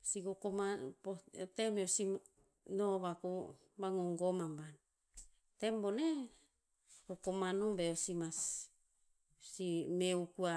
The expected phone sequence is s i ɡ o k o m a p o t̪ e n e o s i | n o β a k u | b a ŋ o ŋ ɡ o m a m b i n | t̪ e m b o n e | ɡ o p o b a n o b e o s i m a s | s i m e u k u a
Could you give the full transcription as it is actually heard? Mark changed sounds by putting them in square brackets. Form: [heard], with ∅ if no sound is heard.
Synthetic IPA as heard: s i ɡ o k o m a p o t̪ e [m] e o s i | n o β a k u | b a ŋ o ŋ ɡ o m a m b [a] n | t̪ e m b o n e | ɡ o [k] o [m] a n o b e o s i m a s | s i m e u k u a